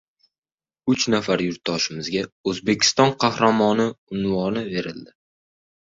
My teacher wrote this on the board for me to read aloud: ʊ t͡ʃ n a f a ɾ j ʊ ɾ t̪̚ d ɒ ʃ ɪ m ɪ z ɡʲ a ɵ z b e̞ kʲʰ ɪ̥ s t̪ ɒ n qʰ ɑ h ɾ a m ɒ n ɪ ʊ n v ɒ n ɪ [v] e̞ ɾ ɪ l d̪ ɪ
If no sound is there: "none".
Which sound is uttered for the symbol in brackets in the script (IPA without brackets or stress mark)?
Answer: v